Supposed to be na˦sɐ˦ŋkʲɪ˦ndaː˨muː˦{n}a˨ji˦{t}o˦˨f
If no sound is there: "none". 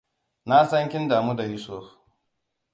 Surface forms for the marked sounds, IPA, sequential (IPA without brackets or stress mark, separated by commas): d, s